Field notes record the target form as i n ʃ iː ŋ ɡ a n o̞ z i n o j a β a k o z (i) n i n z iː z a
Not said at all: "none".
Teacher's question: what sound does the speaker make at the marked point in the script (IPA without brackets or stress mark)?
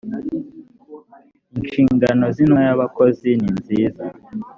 i